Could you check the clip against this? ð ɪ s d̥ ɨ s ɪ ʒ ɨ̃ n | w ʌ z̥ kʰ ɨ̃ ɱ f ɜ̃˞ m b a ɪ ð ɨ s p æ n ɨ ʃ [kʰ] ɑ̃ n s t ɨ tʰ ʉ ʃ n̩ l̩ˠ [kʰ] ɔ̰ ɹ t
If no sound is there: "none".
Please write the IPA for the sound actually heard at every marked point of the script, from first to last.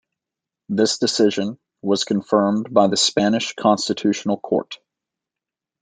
kʰ, kʰ

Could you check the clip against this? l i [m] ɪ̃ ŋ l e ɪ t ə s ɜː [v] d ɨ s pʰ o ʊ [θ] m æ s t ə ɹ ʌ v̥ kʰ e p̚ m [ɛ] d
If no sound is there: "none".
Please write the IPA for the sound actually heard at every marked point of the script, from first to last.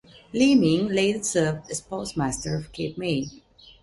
m, v, s, e

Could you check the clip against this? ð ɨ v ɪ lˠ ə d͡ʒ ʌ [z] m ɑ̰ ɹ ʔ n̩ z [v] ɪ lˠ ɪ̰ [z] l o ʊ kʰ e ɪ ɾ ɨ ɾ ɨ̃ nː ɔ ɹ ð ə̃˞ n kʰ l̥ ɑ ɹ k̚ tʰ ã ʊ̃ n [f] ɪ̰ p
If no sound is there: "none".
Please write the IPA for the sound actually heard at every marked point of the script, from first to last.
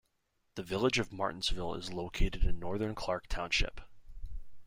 v, v, z, ʃ

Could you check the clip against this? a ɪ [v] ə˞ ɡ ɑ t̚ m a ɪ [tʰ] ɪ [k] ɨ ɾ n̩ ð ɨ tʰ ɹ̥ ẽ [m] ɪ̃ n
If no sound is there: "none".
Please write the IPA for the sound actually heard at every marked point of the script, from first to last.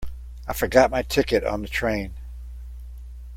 f, tʰ, k, none

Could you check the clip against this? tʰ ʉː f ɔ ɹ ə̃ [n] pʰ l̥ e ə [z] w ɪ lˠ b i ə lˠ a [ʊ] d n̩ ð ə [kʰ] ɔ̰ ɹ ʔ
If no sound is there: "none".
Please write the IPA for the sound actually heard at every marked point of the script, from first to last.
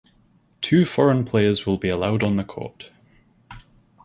n, z, ʊ, kʰ

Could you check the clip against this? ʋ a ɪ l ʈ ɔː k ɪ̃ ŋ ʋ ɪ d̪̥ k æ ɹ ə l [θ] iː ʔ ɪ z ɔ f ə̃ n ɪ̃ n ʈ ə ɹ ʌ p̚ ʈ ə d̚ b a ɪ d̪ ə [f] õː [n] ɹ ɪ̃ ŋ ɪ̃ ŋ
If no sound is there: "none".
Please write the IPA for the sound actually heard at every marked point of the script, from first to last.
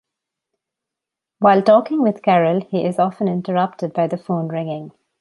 h, f, n

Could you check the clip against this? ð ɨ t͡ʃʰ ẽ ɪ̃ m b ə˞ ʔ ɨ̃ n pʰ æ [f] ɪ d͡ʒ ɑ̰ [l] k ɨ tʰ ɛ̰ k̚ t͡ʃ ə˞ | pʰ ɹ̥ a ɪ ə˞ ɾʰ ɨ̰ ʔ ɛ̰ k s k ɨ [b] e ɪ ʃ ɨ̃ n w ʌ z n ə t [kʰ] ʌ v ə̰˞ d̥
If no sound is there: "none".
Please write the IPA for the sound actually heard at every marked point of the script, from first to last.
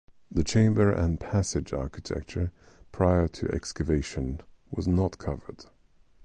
s, ɹ, v, kʰ

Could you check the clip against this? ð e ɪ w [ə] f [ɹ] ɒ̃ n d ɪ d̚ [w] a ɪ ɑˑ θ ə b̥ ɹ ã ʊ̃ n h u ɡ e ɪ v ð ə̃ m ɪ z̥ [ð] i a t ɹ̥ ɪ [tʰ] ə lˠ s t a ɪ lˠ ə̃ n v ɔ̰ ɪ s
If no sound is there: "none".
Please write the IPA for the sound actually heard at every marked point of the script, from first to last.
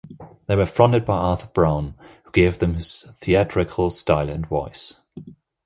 ə, ɹ, b, θ, kʰ

